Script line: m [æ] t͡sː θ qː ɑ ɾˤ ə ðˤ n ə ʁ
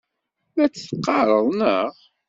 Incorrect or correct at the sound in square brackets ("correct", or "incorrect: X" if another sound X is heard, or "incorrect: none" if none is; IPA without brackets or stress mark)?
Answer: correct